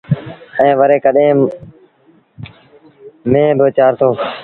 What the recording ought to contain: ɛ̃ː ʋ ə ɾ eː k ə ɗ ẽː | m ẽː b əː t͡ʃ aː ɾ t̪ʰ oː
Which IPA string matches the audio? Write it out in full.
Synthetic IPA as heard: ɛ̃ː ʋ ə ɾ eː k ə ɗ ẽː | m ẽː b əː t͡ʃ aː ɾ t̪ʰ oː

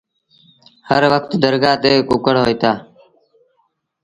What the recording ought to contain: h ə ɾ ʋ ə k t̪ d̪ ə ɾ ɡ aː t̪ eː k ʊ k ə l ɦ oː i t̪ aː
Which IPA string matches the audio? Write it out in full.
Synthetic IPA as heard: h ə ɾ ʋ ə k t̪ d̪ ə ɾ ɡ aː t̪ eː k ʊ k ə ɽ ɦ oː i t̪ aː

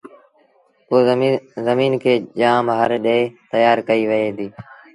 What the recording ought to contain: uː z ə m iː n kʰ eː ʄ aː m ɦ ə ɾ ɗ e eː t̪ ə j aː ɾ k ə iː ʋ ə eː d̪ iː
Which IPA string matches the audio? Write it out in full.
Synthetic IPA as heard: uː z ə m iː n kʰ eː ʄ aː m ɦ ə ɾ ɗ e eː t̪ ə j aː ɾ k ə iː ʋ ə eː d̪ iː

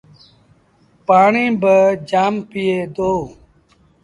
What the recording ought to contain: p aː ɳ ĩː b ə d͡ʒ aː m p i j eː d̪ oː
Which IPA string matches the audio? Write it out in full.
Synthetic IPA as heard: p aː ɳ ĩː b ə d͡ʒ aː m p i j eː d̪ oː

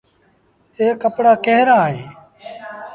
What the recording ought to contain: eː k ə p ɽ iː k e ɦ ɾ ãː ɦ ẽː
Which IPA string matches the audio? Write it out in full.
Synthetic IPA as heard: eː k ə p ɽ aː k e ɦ ɾ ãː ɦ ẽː

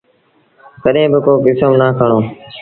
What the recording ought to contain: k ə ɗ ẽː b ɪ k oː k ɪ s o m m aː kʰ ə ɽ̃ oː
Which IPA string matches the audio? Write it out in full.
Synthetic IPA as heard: k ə ɗ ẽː b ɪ k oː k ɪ s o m n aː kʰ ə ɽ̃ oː

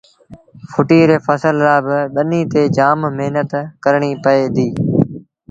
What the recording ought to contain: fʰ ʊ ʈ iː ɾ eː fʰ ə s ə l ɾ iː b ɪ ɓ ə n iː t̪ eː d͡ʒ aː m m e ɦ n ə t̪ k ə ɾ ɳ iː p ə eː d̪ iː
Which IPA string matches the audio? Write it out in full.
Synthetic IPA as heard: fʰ ʊ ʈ iː ɾ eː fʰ ə s ə l ɾ aː b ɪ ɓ ə n iː t̪ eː d͡ʒ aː m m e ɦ n ə t̪ k ə ɾ ɳ iː p ə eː d̪ iː

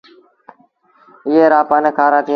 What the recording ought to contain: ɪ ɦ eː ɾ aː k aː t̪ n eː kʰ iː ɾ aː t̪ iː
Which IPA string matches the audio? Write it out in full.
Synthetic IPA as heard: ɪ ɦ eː ɾ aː p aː n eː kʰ aː ɾ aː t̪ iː

